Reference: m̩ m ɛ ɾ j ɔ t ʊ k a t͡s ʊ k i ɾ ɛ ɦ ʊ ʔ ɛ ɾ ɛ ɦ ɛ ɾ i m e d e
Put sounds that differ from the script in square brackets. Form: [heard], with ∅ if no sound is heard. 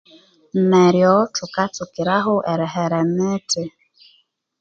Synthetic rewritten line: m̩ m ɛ ɾ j ɔ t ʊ k a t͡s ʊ k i ɾ [a] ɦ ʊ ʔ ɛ ɾ ɛ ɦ ɛ ɾ [ɛ] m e [t] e